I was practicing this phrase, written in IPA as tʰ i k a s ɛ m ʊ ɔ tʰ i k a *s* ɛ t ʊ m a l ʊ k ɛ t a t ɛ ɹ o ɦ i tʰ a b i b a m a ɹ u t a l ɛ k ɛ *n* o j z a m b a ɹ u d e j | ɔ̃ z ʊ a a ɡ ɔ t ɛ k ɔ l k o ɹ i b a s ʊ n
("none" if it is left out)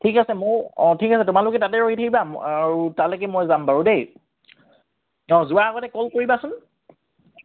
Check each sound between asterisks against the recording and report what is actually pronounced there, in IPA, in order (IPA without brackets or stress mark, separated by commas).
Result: s, m